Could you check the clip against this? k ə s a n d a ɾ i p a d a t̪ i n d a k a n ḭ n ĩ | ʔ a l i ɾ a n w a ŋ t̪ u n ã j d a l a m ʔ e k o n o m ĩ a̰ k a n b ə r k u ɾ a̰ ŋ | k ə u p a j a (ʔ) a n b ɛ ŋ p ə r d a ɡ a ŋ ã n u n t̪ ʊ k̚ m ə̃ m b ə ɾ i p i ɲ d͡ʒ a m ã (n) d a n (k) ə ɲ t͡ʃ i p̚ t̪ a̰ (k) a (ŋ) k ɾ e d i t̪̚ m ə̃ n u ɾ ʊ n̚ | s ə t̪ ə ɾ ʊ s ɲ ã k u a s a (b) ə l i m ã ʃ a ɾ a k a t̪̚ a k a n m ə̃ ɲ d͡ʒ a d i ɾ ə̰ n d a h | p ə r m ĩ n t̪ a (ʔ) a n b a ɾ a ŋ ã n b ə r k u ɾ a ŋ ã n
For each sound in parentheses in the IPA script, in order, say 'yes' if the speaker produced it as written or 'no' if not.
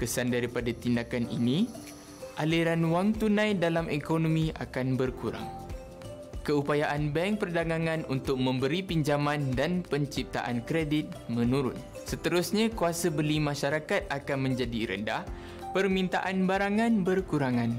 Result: yes, yes, no, no, no, yes, yes

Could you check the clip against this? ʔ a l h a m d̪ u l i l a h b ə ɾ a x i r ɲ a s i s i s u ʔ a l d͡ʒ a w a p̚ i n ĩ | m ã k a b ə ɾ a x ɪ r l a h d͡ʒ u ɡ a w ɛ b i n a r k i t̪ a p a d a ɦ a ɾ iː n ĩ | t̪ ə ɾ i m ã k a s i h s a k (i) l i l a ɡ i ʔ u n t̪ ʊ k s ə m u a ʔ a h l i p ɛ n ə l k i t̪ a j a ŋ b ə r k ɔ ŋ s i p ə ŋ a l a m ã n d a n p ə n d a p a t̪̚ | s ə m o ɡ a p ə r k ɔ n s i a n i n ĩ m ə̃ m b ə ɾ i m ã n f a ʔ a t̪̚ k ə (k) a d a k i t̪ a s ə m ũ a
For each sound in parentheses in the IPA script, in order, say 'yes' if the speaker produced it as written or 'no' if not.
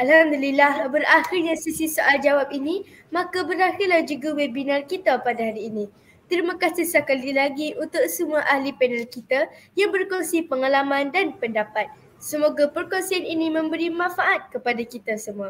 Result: no, no

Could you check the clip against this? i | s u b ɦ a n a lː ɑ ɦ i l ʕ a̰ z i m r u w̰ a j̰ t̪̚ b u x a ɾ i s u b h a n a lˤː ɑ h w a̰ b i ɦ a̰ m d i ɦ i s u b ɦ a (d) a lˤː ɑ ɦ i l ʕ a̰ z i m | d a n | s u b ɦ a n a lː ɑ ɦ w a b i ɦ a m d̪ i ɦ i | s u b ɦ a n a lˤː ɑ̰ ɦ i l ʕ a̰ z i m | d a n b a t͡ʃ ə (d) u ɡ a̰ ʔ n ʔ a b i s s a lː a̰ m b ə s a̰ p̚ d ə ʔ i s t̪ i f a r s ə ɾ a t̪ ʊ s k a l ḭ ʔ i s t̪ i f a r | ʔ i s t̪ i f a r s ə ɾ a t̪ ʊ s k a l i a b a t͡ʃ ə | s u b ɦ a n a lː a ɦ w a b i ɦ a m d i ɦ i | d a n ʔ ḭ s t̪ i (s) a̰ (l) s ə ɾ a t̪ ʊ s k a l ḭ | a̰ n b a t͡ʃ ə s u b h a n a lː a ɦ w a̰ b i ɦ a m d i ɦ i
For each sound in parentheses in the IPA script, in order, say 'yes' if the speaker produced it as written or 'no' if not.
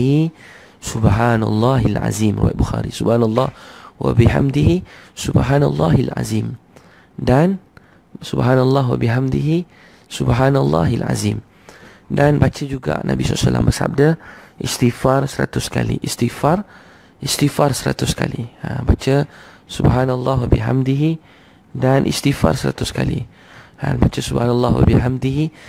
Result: no, no, no, no

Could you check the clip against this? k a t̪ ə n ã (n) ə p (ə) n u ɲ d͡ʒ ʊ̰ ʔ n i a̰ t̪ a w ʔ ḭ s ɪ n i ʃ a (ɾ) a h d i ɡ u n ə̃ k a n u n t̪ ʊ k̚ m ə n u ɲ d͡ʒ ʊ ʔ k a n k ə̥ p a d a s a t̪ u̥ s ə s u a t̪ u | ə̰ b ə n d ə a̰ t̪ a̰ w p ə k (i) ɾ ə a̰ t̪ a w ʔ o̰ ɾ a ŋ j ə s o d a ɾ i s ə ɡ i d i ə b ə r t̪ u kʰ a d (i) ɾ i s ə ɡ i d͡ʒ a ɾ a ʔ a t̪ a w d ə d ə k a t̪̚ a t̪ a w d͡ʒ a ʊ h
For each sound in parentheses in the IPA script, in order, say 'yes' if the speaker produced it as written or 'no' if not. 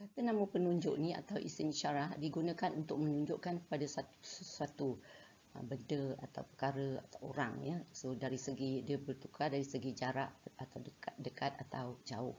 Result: no, yes, yes, no, no

